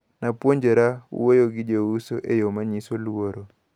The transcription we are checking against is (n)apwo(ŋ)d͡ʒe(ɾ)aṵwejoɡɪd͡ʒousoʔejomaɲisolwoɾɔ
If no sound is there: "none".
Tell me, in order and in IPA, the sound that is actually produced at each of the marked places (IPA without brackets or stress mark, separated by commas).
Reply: n, ɲ, ɾ